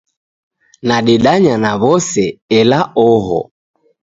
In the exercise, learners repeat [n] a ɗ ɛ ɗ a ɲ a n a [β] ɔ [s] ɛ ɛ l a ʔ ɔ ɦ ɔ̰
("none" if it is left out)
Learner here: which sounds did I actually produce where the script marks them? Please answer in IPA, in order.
n, β, s

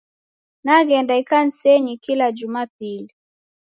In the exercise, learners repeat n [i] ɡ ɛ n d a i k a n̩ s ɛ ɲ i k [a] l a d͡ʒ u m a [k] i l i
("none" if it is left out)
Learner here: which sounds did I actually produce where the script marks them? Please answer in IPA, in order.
a, i, p

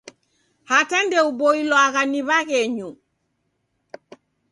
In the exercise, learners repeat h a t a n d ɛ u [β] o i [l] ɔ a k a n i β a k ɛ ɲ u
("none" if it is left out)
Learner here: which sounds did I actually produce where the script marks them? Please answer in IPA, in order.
b, l

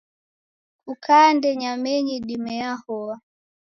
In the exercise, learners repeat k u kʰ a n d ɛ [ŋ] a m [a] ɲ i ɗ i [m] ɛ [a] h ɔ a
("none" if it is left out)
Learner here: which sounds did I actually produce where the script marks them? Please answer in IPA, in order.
ɲ, ɛ, m, a

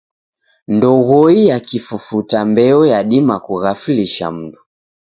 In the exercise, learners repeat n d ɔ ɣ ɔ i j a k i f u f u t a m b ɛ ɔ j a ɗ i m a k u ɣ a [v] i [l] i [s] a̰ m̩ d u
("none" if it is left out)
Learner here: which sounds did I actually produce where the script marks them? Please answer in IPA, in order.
f, l, ʃ

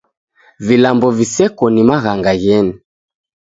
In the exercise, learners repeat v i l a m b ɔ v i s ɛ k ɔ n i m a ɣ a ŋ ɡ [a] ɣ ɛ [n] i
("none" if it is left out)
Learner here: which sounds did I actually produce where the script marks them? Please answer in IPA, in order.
a, n

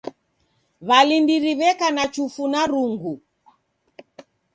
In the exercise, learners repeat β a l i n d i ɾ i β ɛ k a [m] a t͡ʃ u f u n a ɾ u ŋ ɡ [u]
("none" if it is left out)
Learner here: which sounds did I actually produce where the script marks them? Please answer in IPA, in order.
n, u

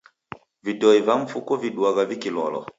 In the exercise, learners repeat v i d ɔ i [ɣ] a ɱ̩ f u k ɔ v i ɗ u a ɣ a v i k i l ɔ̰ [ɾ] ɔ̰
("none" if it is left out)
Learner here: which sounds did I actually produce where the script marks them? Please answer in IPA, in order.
v, l

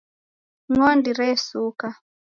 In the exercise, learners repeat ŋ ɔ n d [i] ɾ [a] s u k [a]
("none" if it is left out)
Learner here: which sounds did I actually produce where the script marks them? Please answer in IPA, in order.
i, ɛ, a

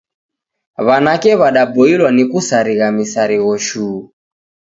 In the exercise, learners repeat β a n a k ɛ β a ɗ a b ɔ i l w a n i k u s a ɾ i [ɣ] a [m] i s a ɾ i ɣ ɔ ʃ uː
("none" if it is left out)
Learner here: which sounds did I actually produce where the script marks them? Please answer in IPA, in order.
ɣ, m

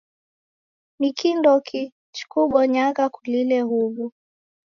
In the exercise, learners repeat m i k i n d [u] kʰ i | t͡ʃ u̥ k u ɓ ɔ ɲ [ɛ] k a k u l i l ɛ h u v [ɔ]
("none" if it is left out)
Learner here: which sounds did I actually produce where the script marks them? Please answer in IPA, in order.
ɔ, a, u

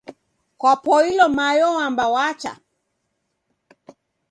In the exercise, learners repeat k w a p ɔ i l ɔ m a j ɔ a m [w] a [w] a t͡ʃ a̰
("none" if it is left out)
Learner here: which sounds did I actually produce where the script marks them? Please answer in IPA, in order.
b, w

